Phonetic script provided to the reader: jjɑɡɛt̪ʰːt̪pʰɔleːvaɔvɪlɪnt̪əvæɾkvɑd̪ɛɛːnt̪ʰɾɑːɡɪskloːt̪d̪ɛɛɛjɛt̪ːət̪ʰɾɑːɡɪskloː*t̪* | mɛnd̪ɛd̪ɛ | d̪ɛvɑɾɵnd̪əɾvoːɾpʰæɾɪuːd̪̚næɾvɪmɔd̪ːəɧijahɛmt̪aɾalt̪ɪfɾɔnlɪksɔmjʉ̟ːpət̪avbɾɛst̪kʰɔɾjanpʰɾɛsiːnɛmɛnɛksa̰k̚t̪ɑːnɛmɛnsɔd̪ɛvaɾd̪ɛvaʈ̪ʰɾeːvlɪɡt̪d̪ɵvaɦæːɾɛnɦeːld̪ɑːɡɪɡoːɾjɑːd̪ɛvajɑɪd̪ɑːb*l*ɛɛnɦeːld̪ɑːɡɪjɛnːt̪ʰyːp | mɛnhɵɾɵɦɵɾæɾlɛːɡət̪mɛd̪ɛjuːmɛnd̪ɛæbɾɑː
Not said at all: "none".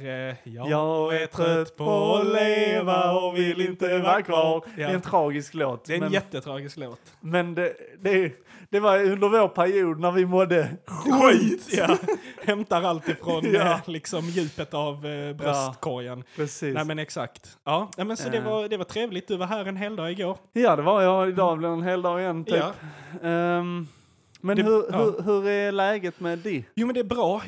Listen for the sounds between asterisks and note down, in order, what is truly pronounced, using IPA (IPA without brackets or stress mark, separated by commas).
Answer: t̪, l